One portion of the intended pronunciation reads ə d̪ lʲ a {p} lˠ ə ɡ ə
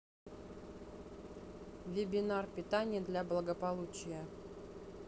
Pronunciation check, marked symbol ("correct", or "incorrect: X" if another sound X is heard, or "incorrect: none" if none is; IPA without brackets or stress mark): incorrect: b